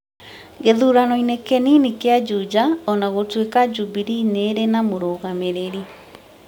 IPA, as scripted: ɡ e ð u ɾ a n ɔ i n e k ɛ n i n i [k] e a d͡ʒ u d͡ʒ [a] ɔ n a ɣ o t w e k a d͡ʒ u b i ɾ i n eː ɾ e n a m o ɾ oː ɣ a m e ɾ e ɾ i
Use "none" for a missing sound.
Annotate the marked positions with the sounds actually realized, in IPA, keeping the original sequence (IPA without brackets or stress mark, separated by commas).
k, a